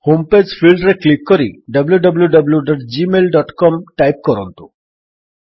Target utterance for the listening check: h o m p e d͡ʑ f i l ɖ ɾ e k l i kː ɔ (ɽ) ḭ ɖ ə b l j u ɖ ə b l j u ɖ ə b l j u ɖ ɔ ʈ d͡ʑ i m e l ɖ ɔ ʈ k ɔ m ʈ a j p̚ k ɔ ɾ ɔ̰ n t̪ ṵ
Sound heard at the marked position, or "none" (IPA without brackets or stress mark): ɾ